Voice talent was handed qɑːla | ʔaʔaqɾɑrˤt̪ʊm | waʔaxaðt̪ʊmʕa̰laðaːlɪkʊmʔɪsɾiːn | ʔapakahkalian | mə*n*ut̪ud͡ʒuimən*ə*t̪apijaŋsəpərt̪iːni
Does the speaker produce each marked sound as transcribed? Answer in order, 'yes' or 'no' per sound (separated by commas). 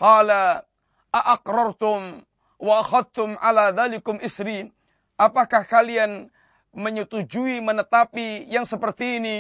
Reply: no, yes